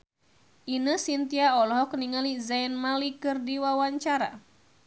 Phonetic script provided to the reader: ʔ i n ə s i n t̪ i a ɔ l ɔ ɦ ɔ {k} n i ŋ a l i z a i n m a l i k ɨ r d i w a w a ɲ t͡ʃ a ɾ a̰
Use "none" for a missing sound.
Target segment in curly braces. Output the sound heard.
k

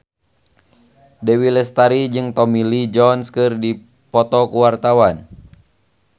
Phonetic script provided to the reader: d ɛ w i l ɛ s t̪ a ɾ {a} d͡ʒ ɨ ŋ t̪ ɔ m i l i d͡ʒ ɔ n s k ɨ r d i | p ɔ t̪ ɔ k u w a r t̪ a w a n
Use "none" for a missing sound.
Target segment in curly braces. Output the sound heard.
i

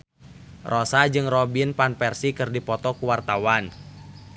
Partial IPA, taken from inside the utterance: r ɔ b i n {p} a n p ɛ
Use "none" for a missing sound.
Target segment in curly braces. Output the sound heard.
p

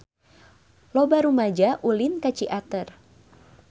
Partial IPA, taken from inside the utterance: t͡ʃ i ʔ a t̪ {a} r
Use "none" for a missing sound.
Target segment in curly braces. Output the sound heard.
ə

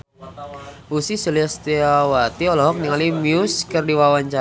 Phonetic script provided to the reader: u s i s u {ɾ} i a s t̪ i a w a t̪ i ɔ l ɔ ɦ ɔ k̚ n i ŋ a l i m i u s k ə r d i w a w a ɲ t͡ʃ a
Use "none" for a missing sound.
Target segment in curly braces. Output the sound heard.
l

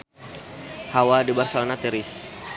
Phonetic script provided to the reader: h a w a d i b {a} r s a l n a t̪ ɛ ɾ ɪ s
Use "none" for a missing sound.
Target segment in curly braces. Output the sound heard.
a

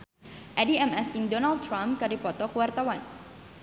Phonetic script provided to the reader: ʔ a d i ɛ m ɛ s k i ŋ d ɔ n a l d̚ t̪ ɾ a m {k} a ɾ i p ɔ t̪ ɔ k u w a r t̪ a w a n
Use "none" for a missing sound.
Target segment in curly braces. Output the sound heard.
k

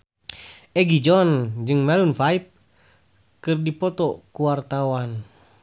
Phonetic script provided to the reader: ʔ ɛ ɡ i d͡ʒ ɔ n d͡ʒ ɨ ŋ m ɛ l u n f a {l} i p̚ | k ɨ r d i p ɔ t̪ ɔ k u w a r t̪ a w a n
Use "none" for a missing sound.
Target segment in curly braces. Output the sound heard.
none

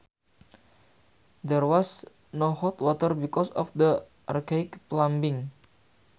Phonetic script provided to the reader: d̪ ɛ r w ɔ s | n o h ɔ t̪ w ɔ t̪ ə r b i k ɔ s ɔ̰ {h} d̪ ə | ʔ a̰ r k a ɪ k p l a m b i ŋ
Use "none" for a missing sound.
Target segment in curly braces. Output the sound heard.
f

